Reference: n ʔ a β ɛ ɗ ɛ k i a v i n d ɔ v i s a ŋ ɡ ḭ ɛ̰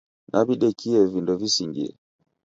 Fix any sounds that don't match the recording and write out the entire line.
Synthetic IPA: n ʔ a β i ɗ ɛ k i ɛ v i n d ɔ v i s i ŋ ɡ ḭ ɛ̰